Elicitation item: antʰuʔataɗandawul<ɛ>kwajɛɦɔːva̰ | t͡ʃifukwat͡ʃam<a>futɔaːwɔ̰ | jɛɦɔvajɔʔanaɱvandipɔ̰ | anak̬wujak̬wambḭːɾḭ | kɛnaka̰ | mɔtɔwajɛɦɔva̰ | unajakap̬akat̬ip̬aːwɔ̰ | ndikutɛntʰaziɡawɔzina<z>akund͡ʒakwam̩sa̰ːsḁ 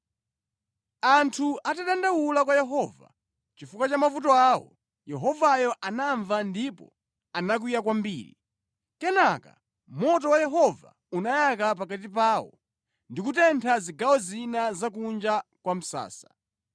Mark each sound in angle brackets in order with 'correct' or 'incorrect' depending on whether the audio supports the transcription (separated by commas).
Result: incorrect, correct, correct